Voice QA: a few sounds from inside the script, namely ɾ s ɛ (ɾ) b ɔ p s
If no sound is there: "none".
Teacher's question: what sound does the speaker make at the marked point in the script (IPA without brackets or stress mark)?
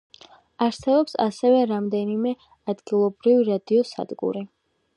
none